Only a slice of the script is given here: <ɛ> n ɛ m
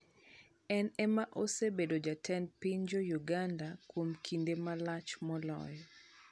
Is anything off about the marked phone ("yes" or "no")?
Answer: no